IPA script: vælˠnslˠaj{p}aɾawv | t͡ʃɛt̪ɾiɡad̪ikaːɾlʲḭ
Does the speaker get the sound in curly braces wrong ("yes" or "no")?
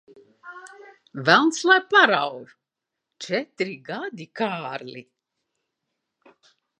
no